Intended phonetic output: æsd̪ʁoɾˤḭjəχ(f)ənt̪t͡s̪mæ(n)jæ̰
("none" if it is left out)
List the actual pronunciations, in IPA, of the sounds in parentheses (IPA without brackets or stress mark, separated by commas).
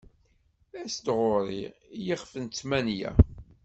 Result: f, n